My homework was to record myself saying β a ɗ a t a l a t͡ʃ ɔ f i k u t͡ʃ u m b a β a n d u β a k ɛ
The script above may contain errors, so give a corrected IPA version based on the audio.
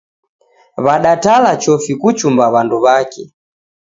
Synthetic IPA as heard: β a ɗ a t a l a t͡ʃ ɔ f i k u t͡ʃ u m b a β a n d u β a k ɛ